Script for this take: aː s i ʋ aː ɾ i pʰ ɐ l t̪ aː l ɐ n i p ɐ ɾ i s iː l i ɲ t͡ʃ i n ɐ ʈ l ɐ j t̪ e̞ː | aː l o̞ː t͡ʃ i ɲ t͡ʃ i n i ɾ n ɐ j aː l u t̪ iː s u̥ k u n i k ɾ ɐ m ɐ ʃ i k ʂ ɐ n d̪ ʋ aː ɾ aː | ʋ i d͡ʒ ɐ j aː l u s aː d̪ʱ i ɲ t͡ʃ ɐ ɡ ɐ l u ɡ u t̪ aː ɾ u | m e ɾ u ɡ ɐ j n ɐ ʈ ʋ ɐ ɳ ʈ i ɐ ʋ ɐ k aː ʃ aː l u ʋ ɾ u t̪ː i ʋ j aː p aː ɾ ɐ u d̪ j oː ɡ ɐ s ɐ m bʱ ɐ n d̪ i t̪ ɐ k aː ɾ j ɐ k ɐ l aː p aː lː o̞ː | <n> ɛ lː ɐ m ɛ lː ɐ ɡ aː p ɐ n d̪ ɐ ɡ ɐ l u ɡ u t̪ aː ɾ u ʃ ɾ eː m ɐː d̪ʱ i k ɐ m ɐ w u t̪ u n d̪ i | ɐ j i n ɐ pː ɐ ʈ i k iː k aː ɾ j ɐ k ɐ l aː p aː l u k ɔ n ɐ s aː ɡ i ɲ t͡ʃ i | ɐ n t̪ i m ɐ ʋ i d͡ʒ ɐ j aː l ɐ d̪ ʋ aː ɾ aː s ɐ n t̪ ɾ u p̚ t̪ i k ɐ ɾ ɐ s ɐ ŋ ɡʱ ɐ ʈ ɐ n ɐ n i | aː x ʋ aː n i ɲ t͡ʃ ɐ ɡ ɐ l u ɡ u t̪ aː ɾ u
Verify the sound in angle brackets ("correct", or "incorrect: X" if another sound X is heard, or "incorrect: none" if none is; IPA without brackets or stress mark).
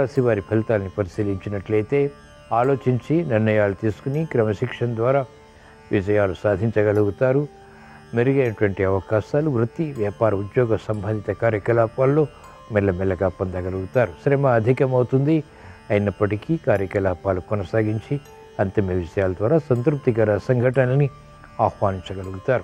incorrect: m